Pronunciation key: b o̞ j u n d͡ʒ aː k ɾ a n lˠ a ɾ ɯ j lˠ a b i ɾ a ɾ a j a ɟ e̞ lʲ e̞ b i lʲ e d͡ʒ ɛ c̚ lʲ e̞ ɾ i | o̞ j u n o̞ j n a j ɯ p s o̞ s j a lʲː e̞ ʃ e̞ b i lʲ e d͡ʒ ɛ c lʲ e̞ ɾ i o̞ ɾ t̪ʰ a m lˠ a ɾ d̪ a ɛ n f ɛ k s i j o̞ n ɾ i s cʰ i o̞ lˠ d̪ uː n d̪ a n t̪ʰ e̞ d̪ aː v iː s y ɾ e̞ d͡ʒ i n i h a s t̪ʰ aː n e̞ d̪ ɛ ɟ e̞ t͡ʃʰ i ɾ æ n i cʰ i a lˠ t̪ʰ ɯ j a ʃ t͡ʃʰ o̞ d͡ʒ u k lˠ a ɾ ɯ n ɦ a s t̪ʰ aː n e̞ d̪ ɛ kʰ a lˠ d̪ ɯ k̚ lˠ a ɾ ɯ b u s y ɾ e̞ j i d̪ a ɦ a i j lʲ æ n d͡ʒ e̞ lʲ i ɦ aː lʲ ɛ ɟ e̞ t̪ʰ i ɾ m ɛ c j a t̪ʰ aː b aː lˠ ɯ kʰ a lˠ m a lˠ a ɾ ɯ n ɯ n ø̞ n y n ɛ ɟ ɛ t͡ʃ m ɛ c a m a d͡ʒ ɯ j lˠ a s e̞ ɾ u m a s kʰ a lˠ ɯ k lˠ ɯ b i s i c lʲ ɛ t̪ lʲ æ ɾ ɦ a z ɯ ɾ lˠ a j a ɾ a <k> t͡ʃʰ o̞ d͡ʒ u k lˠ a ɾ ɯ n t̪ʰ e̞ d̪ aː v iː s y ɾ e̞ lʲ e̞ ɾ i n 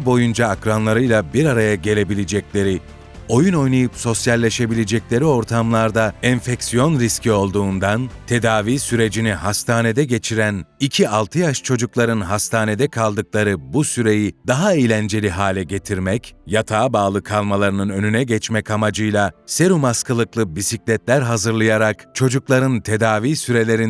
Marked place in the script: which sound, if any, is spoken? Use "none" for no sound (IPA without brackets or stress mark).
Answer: k